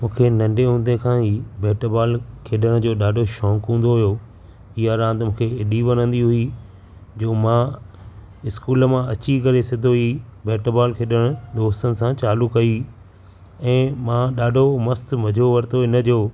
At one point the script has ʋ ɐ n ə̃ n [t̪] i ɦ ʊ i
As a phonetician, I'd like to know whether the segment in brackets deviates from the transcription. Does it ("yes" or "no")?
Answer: yes